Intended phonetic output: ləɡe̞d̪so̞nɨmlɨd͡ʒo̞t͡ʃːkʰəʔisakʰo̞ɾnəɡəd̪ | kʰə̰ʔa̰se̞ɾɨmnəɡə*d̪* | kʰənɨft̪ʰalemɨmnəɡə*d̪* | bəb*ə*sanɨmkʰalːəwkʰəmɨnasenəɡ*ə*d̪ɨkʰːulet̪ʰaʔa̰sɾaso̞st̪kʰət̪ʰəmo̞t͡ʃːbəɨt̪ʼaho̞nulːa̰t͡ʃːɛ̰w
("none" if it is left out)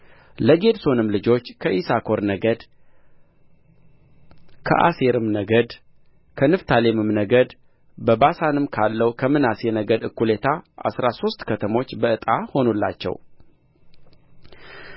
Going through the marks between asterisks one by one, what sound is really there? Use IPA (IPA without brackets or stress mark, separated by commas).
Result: d̪, d̪, a, ə